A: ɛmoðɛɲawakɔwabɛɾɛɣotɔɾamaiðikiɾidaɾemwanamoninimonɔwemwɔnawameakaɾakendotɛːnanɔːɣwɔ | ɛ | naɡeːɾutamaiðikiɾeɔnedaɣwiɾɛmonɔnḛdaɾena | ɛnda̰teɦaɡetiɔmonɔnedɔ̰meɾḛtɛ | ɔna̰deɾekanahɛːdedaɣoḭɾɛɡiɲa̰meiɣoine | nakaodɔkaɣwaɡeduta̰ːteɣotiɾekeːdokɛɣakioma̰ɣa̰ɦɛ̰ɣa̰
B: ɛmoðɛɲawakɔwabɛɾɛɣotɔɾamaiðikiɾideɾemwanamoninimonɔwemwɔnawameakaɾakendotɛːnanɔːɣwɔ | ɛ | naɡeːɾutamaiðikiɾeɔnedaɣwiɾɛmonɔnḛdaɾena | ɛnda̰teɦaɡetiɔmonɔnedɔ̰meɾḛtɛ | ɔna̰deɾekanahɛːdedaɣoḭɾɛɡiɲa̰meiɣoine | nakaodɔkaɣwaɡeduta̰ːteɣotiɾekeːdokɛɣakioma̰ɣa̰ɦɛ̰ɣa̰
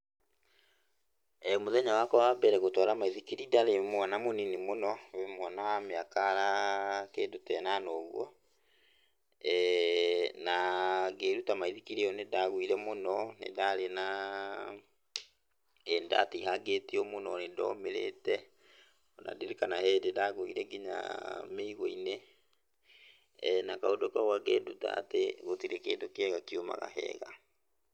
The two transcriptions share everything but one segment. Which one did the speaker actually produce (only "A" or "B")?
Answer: A